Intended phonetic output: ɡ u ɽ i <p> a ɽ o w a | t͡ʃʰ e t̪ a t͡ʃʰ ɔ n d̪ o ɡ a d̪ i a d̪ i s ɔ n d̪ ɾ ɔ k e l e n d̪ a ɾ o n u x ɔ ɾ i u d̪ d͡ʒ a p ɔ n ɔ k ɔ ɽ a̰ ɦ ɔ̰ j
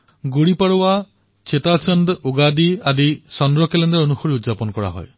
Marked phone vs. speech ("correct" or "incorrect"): correct